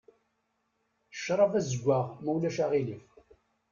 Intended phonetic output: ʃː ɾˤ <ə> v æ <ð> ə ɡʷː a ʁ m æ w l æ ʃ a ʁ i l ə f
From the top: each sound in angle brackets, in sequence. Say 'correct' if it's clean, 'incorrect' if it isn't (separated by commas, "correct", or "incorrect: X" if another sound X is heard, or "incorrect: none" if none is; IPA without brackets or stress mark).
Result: incorrect: ɑ, incorrect: z